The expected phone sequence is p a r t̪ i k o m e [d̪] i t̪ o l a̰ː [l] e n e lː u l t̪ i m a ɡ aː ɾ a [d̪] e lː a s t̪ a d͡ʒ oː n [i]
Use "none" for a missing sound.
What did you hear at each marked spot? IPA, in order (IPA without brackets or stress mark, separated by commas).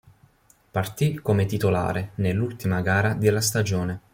t̪, ɾ, d̪, e